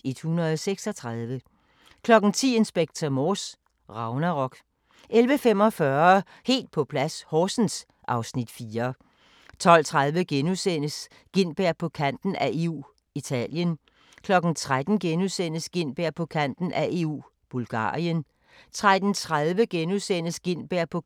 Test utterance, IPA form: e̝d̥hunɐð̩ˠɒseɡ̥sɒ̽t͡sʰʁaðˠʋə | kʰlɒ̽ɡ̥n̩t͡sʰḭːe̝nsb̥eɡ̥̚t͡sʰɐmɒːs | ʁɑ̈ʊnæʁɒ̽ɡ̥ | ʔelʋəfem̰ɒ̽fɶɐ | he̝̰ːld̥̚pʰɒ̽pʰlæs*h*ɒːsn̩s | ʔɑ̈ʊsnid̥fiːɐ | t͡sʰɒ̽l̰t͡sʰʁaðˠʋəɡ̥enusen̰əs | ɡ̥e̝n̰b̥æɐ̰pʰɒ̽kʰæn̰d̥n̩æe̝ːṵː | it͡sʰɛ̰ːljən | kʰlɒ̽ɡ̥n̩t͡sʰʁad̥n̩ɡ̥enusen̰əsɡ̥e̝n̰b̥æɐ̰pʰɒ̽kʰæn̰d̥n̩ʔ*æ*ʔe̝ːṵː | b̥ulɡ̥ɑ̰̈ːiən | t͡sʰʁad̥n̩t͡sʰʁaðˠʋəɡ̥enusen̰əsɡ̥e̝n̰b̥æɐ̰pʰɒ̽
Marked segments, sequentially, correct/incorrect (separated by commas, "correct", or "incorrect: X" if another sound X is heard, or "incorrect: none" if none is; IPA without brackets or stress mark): correct, correct